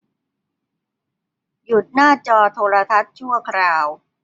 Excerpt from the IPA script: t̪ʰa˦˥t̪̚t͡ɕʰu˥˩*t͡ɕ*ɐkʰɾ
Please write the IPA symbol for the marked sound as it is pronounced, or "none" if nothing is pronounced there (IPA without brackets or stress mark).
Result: none